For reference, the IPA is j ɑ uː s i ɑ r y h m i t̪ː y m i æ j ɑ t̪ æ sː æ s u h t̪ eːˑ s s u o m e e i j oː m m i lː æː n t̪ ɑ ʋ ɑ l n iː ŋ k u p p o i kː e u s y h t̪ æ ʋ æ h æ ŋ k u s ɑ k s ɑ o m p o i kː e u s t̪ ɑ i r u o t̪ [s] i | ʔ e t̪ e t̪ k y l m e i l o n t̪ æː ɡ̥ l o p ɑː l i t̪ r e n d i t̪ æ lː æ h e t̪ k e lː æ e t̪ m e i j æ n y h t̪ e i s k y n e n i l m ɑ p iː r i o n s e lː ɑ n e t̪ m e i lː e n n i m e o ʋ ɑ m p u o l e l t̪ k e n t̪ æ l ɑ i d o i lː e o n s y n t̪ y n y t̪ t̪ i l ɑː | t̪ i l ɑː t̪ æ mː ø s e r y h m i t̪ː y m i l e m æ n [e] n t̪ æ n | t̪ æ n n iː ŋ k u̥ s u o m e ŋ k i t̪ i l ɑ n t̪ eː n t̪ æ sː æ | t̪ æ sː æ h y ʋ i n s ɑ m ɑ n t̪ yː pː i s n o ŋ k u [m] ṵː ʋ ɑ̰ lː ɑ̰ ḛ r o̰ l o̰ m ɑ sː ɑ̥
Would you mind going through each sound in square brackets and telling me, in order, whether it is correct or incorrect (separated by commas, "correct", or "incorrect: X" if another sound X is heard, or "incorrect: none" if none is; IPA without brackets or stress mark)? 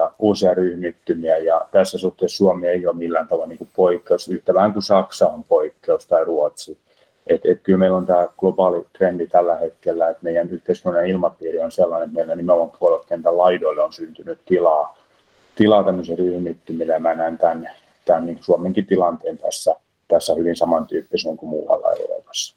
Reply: correct, incorrect: æ, correct